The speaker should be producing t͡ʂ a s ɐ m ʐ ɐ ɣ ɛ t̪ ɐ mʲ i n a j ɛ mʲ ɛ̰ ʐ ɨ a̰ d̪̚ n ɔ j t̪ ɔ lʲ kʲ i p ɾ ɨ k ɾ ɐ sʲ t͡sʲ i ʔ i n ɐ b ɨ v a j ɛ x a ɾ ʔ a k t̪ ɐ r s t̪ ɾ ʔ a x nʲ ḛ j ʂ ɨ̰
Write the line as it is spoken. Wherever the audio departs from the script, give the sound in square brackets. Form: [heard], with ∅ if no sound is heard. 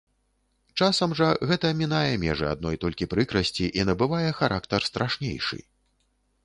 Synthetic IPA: t͡ʂ a s ɐ m ʐ ɐ ɣ ɛ t̪ ɐ mʲ i n a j ɛ mʲ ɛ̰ ʐ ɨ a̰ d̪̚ n ɔ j t̪ ɔ lʲ kʲ i p ɾ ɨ k ɾ ɐ sʲ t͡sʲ i ʔ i n ɐ b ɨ v a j ɛ x a ɾ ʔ a k t̪ ɐ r s t̪ ɾ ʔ a [ʂ] nʲ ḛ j ʂ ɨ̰